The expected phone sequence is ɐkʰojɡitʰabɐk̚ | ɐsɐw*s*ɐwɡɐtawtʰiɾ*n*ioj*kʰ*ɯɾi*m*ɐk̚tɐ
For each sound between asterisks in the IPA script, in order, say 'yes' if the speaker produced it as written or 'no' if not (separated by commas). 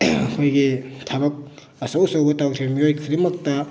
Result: yes, no, yes, yes